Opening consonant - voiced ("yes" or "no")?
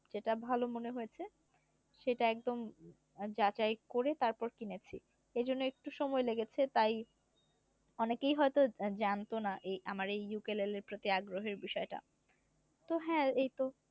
yes